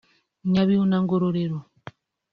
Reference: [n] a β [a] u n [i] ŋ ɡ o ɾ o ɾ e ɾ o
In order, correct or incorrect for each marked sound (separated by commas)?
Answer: incorrect, incorrect, incorrect